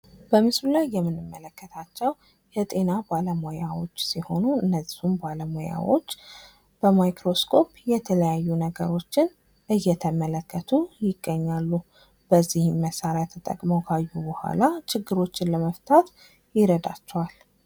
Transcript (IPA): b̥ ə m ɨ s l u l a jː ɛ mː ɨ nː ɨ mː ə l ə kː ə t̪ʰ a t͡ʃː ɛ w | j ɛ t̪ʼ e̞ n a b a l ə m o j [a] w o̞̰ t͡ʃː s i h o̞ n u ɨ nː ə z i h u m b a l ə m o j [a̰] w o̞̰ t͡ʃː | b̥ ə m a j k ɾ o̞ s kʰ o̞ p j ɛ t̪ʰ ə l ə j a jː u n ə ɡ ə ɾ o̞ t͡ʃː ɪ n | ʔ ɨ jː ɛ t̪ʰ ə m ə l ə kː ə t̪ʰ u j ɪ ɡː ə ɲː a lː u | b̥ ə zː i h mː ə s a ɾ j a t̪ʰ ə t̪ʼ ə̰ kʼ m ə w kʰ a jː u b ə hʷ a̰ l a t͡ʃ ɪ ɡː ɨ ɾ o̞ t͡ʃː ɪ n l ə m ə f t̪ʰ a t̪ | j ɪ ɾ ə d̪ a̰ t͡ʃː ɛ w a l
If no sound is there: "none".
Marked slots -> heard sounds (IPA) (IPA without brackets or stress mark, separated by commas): a, a̰